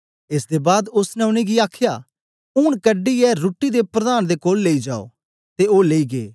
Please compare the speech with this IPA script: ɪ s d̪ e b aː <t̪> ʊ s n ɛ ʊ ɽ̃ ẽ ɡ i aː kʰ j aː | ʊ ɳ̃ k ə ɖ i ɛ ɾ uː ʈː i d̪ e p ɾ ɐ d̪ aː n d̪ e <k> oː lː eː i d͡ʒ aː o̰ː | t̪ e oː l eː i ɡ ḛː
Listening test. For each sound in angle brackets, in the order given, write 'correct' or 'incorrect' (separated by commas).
incorrect, correct